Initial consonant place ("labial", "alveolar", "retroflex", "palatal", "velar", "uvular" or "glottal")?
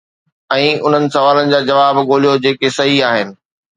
alveolar